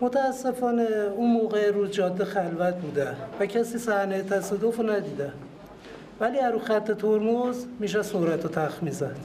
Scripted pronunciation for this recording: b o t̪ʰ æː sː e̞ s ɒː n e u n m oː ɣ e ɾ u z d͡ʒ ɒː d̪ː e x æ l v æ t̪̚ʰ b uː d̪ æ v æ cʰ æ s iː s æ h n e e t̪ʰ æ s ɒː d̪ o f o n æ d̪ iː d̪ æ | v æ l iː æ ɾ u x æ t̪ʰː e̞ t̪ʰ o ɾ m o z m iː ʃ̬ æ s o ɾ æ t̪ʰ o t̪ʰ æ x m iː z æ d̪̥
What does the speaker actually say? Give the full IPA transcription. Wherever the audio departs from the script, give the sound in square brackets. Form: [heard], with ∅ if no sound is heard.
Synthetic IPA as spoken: [m] o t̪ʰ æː sː e̞ [f] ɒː n e u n m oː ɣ e ɾ u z d͡ʒ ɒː d̪ː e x æ l v æ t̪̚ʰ b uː d̪ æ v æ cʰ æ s iː s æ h n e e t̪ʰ æ s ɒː d̪ o f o n æ d̪ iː d̪ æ | v æ l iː æ ɾ u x æ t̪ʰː e̞ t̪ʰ o ɾ m o z m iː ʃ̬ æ s o ɾ æ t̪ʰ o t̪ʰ æ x m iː z æ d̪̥